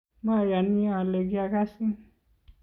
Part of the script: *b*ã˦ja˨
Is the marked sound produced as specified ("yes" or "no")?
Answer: no